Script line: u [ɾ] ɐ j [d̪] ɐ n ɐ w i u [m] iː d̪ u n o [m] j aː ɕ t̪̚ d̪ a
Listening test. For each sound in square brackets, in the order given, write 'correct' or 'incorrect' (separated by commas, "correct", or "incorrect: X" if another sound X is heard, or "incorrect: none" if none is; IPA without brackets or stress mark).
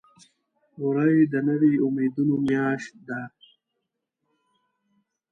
correct, correct, correct, correct